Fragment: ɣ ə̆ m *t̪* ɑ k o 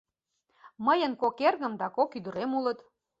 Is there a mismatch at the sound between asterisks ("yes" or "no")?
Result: yes